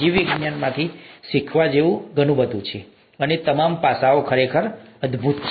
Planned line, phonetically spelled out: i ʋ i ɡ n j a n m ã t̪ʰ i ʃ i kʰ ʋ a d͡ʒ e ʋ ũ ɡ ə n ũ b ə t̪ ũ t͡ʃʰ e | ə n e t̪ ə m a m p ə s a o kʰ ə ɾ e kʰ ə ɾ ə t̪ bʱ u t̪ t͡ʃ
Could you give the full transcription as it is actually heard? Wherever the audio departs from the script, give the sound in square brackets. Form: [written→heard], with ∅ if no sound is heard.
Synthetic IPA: i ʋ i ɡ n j a n m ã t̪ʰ i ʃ i kʰ ʋ a d͡ʒ e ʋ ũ ɡ ə n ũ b ə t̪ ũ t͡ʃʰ e | ə n e t̪ ə m a m p [ə→a] s a o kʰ ə ɾ e kʰ ə ɾ ə [t̪→d̪] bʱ u t̪ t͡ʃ